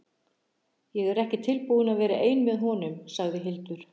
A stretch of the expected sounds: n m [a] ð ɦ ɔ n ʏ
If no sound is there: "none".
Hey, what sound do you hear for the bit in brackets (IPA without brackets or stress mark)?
ɛ